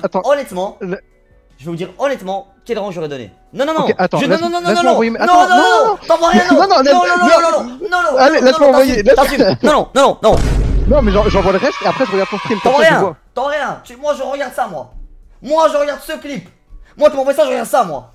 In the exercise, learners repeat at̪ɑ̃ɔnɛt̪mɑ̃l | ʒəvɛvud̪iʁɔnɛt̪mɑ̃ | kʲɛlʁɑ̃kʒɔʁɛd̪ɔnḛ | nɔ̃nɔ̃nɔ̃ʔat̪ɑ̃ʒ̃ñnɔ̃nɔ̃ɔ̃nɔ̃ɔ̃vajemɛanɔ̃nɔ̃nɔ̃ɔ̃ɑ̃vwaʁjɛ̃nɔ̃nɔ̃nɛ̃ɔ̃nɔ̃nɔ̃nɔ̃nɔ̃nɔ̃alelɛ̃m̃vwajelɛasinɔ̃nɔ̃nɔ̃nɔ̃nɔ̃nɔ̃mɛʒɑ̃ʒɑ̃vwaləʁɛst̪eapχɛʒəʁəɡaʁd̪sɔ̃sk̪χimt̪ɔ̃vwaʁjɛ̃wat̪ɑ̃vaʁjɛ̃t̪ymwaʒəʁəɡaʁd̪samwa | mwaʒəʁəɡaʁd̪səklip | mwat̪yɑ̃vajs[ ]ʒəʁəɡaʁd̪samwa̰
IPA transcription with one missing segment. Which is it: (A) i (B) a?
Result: B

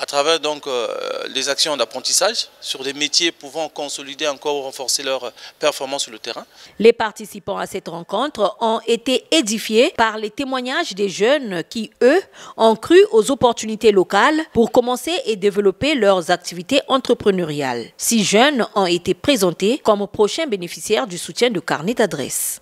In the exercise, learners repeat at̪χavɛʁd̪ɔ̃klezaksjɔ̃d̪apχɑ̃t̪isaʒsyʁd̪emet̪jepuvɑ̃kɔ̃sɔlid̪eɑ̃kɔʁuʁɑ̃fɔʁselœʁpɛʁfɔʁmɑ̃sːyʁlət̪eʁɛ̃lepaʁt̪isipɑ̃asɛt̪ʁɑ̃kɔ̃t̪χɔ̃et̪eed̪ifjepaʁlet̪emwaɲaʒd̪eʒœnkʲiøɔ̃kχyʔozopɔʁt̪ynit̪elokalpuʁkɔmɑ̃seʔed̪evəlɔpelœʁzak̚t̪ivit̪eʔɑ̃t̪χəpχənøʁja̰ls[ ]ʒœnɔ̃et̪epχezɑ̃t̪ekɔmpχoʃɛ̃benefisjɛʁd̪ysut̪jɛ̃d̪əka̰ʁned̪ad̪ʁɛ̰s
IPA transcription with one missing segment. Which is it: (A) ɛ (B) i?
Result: B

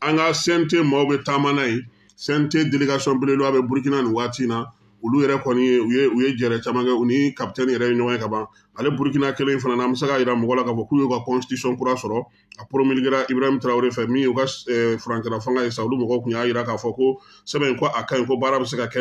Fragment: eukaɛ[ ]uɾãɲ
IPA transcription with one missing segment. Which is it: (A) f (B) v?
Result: A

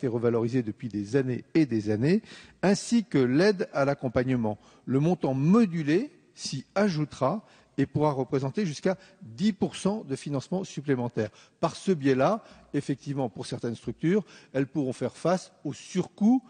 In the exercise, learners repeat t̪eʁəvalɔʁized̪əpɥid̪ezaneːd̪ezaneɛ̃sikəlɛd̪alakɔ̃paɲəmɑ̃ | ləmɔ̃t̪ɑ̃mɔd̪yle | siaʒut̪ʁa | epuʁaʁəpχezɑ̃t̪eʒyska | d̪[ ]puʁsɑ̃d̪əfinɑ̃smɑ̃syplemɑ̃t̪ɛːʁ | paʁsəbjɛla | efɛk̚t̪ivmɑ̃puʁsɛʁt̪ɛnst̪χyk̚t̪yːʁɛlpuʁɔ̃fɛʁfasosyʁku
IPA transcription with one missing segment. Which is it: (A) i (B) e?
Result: A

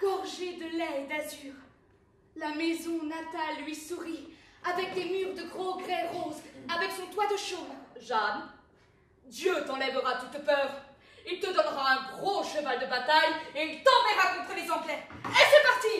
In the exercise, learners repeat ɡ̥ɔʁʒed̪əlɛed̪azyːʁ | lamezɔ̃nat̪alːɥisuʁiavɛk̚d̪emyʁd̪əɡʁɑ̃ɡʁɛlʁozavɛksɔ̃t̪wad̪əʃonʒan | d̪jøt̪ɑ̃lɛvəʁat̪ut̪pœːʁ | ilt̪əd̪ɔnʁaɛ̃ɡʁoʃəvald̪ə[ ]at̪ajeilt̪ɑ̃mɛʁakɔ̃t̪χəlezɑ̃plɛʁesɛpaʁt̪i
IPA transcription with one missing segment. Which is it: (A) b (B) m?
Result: A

